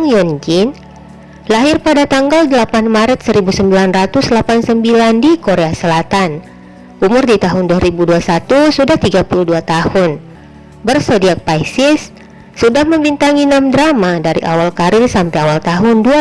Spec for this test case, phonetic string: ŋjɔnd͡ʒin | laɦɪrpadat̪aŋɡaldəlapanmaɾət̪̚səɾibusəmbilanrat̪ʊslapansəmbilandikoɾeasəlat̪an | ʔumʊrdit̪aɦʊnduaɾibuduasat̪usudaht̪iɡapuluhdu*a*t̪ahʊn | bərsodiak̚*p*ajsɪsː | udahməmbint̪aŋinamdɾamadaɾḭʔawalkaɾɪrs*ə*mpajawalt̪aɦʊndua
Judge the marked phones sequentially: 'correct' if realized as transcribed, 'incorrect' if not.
correct, correct, incorrect

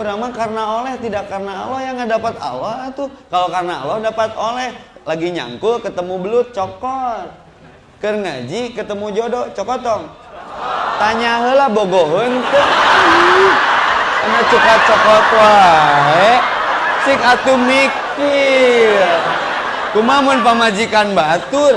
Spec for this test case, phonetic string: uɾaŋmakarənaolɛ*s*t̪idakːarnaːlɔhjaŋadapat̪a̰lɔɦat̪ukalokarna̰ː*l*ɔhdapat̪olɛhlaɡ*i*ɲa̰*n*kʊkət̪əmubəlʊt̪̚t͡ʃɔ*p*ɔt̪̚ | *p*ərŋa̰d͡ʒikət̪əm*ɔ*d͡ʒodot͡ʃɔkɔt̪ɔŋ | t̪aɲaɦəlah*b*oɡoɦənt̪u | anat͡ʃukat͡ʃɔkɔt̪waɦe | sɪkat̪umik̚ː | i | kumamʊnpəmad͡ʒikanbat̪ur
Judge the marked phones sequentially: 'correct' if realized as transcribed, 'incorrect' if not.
incorrect, correct, correct, incorrect, incorrect, incorrect, incorrect, correct

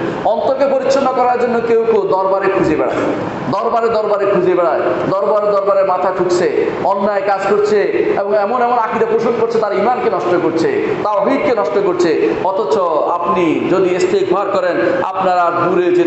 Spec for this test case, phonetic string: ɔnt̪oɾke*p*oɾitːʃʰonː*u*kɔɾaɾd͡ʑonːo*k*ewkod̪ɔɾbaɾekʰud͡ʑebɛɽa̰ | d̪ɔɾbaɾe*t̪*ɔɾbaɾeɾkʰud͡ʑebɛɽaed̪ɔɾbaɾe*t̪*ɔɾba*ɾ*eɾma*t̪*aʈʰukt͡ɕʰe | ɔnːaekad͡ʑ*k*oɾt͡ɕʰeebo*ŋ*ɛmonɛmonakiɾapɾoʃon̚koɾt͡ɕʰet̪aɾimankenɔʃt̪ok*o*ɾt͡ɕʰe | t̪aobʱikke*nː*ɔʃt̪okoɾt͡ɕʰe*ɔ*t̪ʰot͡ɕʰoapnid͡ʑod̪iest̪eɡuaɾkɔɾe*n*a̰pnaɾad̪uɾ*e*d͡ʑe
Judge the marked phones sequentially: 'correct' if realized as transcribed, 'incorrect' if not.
correct, incorrect, correct, incorrect, incorrect, correct, incorrect, correct, correct, correct, incorrect, correct, correct, correct

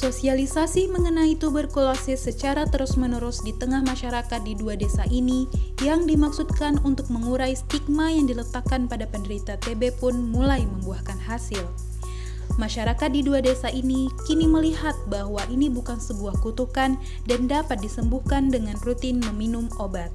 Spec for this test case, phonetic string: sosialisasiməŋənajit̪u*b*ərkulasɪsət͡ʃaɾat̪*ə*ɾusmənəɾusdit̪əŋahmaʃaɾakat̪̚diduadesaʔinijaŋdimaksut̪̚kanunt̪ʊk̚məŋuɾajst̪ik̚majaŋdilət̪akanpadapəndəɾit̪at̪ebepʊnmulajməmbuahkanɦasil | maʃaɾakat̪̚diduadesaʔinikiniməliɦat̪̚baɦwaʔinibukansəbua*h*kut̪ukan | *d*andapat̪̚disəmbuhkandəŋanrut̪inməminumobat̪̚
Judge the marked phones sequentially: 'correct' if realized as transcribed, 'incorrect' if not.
correct, correct, correct, correct

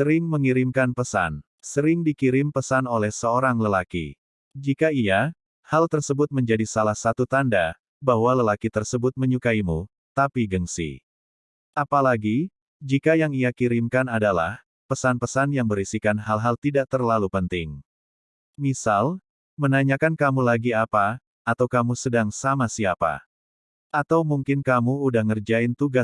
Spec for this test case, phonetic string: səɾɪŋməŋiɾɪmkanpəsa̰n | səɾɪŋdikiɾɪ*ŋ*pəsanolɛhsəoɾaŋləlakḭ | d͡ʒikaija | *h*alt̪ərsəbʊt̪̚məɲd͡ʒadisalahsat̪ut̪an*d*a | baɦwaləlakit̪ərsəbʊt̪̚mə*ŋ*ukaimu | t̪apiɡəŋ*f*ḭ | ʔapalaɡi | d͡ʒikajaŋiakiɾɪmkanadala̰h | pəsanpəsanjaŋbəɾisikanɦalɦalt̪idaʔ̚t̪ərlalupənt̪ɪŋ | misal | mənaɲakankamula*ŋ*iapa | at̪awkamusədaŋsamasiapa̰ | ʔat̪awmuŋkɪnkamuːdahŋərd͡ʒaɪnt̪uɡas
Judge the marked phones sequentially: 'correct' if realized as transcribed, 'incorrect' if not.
incorrect, correct, correct, incorrect, incorrect, incorrect

